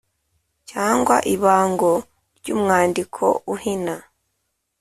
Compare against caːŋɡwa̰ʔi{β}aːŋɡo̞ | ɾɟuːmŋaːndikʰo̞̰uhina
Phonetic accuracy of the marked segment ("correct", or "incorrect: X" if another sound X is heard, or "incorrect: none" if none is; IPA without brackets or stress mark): correct